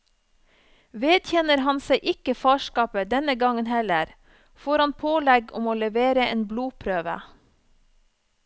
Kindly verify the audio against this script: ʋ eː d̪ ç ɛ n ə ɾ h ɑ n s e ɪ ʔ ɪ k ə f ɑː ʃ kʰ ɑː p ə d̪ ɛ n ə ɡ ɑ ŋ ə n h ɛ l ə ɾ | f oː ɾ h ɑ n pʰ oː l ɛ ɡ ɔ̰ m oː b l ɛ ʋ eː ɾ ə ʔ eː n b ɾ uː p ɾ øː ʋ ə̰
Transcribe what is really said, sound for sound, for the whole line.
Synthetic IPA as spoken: ʋ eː d̪ ç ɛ n ə ɾ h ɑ n s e ɪ ʔ ɪ k ə f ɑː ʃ k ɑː p ə d̪ ɛ n ə ɡ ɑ ŋ ə n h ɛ l ə ɾ | f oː ɾ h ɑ n pʰ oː l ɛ ɡ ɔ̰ m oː l ɛ ʋ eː ɾ ə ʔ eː n b l uː pʰ ɾ øː ʋ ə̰

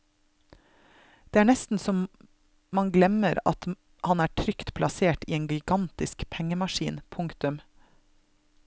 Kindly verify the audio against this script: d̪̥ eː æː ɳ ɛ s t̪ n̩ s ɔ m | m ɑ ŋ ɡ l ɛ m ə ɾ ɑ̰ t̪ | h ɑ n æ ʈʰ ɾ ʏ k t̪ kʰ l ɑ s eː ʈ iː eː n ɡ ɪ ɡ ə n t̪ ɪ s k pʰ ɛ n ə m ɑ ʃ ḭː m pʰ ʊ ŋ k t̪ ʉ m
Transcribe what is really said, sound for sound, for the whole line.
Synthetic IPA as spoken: d̪̥ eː æː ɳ ɛ s t̪ n̩ s ɔ m | m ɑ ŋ ɡ l ɛ m ə ɾ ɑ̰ t̪ | h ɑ n æː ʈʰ ɾ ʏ k t̪ pʰ l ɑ s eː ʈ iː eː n ɡ ɪ ɡ ɑ n t̪ ɪ s k pʰ ɛ ŋ ə m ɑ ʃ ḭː n pʰ ʊ ŋ k t̪ ʉ m

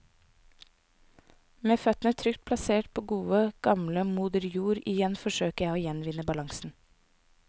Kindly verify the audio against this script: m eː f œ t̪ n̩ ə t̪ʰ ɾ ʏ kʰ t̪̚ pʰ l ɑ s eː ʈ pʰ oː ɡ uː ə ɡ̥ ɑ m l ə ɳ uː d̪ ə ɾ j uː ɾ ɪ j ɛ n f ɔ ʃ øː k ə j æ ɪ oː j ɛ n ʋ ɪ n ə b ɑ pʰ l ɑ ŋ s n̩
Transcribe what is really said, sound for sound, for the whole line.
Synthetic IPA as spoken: m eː f œ t̪ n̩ ə t̪ʰ ɾ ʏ k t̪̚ pʰ l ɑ s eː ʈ pʰ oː ɡ uː ə ɡ̥ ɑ m l ə m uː d̪ ə ɾ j uː ɾ ɪ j ɛ n f ɔ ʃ øː k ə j æ ɪ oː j ɛ n ʋ ɪ n ə b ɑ l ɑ ŋ s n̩

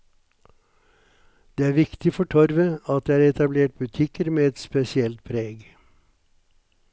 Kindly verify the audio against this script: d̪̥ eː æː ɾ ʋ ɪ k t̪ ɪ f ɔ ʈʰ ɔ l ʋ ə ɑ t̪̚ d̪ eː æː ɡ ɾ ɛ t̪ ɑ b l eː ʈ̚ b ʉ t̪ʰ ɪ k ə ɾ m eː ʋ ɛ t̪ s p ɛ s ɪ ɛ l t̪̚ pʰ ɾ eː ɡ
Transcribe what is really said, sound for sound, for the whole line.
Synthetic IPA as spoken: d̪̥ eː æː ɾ ʋ ɪ k t̪ ɪ f ɔ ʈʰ ɔ ɾ ʋ ə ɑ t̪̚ d̪ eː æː ɾ ɛ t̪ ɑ b l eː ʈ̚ b ʉ t̪ʰ ɪ k ə ɾ m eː ɛ t̪ s p ɛ s ɪ ɛ l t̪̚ pʰ ɾ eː ɡ

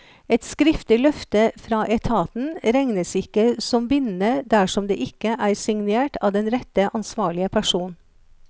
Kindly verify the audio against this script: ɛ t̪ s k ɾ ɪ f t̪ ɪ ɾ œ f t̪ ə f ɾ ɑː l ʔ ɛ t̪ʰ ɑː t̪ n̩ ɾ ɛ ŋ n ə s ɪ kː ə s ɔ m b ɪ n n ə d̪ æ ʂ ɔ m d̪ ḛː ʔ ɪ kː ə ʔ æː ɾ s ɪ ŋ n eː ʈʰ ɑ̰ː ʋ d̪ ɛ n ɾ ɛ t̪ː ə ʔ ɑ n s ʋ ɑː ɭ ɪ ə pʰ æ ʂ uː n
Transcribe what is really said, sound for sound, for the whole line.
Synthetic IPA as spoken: ɛ t̪ s k ɾ ɪ f t̪ ɪ l œ f t̪ ə f ɾ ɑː ʔ ɛ t̪ʰ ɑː t̪ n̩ ɾ ɛ ŋ n ə s ɪ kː ə s ɔ m b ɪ n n ə d̪ æ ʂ ɔ m d̪ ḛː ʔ ɪ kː ə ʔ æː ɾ s ɪ ŋ n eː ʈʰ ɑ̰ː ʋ d̪ ɛ n ɾ ɛ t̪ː ə ʔ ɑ n s ʋ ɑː ɭ ɪ ə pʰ æ ʂ uː n

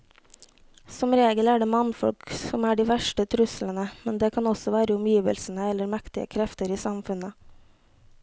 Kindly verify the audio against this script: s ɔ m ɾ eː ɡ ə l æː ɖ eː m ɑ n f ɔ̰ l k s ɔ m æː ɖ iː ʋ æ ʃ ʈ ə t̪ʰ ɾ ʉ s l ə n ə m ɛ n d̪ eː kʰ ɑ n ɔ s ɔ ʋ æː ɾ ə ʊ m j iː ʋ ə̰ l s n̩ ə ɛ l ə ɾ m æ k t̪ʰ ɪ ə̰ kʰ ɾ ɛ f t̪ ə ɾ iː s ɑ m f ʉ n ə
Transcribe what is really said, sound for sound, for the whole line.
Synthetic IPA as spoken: s ɔ m ɾ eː ɡ ə l æː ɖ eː m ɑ n f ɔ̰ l k s ɔ m æː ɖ iː ʋ æ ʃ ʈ ə t̪ʰ ɾ ʉ s l ə n ə m ɛ n d̪ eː kʰ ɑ n ɔ s ɔ ʋ æː ɾ ə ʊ m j iː ʋ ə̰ l s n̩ ə ɛ l ə ɾ m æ k t̪ ɪ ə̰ kʰ ɾ ɛ f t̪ ə ɾ iː s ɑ m f ʉ n ə

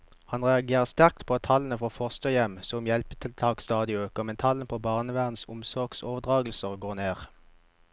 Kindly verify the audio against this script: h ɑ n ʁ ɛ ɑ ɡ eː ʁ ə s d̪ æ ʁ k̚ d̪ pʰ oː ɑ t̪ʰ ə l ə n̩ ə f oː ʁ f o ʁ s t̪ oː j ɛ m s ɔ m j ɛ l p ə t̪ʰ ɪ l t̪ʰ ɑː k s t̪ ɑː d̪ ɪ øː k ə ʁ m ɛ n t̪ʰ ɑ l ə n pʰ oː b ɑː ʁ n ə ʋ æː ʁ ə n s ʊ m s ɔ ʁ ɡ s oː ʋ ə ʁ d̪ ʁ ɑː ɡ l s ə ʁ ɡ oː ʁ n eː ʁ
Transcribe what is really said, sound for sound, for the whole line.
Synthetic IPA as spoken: h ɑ n ʁ ɛ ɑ ɡ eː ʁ ə s t̪ æ ʁ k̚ t̪ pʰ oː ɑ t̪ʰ ɑ l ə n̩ ə f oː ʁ f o ʁ s t̪ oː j ɛ m s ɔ m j ɛ l p ə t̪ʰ ɪ l t̪ʰ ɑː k s t̪ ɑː d̪ ɪ øː k ə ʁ m ɛ n t̪ʰ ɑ l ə n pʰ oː b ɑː ʁ n ə ʋ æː ʁ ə n s ʊ m s ɔ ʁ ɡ s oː ʋ ə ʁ d̪ ʁ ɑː ɡ l s ə ʁ ɡ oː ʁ n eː ʁ

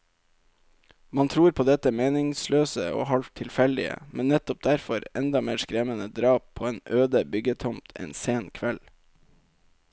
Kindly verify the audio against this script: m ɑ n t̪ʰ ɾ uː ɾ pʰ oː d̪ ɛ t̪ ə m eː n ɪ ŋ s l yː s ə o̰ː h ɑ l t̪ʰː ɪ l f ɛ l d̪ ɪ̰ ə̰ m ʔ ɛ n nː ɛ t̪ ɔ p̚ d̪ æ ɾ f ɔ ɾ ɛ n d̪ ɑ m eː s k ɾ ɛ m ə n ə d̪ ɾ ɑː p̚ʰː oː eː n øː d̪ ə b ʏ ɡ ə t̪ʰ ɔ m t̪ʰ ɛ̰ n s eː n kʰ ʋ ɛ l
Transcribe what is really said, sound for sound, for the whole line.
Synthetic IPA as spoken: m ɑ n t̪ʰ ɾ uː ɾ pʰ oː d̪ ɛ t̪ ə m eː n ɪ ŋ s l øː s ə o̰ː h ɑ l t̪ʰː ɪ l f ɛ l d̪ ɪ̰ ə̰ m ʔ ɛ n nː ɛ t̪ ɔ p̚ d̪ æ ɾ f ɔ ɾ ɛ n d̪ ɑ m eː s k ɾ ɛ m ə n ə d̪ ɾ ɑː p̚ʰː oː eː n øː d̪ ə b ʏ ɡ ə t̪ʰ ɔ m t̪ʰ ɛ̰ n s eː n kʰ ʋ ɛ l

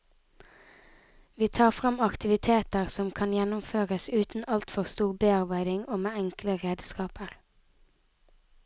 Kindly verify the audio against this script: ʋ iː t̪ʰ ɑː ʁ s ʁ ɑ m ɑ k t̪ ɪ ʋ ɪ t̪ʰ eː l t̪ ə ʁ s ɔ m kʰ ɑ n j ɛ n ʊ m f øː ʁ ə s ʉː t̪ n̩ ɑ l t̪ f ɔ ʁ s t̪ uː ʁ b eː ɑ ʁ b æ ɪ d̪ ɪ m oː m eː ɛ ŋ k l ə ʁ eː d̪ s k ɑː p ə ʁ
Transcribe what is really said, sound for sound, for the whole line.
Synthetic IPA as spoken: ʋ iː t̪ʰ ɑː ʁ f ʁ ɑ m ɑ k t̪ ɪ ʋ ɪ t̪ʰ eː t̪ ə ʁ s ɔ m kʰ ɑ n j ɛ n ʊ m f øː ʁ ə s ʉː t̪ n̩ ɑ l t̪ f ɔ ʁ s t̪ uː ʁ b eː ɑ ʁ b æ ɪ d̪ ɪ ŋ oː m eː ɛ ŋ k l ə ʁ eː d̪ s k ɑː p ə ʁ

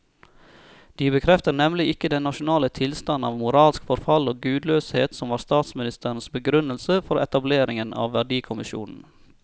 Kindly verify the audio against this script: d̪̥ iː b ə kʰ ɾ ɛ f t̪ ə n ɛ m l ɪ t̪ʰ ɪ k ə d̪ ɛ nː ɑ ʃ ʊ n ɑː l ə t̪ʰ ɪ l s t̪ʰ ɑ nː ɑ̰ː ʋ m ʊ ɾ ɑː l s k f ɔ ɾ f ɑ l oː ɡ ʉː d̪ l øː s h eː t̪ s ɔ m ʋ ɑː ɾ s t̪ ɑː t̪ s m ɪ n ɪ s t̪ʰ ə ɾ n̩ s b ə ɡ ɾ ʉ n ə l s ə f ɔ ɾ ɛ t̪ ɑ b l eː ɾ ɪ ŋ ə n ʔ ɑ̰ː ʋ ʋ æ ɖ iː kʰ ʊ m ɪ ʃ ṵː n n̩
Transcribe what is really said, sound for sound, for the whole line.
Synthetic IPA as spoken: d̪̥ iː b ə kʰ ɾ ɛ f t̪ ə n ɛ m l ɪ ɪ k ə d̪ ɛ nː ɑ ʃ ʊ n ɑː l ə t̪ʰ ɪ l s t̪ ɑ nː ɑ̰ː ʋ m ʊ ɾ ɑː l s k f ɔ ɾ f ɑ l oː ɡ ʉː d̪ l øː s h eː t̪ s ɔ m ʋ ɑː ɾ s t̪ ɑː t̪ s m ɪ n ɪ s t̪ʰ ə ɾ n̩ s b ə ɡ ɾ ʉ n ə l s ə f ɔ ɾ ɛ t̪ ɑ b l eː ɾ ɪ ŋ ə n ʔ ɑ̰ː ʋ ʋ æ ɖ iː kʰ ʊ m ɪ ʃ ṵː n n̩

